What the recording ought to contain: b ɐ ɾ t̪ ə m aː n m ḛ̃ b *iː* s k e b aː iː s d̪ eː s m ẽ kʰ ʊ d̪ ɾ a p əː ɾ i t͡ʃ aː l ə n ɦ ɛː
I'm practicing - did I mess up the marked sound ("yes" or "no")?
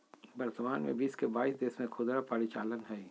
no